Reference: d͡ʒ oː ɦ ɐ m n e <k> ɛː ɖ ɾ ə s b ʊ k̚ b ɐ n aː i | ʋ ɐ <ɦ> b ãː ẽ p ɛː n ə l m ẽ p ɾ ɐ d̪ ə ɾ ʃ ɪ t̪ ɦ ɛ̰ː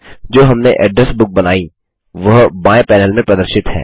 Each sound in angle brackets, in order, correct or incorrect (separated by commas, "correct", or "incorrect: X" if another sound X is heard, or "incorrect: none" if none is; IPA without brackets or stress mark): incorrect: ʔ, correct